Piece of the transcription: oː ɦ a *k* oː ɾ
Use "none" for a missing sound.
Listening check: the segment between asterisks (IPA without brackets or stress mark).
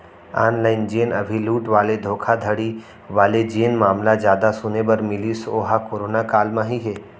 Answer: k